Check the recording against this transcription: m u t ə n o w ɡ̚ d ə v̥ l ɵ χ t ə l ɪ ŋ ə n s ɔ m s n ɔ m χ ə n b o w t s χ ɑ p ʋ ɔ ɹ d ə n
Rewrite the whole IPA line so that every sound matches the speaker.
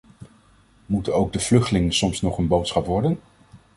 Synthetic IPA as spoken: m u t ə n o w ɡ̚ d ə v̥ l ɵ χ t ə l ɪ ŋ ə n s ɔ m s n ɔ χ ə n b o w t s χ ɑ p ʋ ɔ ɹ d ə n